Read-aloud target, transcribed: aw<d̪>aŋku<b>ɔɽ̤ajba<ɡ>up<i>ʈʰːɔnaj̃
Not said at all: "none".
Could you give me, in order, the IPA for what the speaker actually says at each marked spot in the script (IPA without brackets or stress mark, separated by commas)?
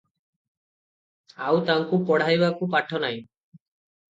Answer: t̪, p, k, a